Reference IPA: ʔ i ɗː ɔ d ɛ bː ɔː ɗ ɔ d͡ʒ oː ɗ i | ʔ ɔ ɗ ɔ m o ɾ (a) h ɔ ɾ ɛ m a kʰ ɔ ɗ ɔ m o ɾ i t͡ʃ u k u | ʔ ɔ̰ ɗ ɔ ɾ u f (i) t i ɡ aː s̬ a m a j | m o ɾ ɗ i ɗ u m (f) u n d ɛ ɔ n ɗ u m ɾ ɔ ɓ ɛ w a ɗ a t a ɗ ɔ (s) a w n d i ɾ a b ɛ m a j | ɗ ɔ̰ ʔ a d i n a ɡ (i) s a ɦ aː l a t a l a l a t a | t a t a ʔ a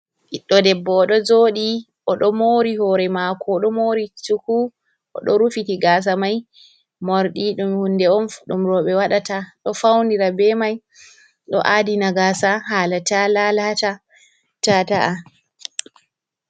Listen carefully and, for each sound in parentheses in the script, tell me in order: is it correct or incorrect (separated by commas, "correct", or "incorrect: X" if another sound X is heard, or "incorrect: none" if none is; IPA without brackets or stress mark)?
incorrect: i, correct, incorrect: h, incorrect: f, incorrect: a